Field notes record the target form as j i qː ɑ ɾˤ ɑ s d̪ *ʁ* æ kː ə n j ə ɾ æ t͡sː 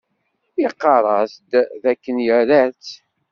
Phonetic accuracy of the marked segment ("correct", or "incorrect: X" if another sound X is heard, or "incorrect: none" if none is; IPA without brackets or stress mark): incorrect: ð